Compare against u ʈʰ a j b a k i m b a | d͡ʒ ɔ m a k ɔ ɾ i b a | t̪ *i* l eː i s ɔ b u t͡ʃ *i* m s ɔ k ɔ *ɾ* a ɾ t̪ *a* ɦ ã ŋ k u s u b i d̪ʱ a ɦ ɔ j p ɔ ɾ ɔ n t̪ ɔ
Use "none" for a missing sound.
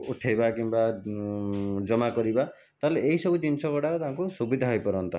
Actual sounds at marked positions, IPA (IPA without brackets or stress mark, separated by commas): a, i, ɽ, a